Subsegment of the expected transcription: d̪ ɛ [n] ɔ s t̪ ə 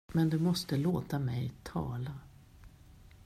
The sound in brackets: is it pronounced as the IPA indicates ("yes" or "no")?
no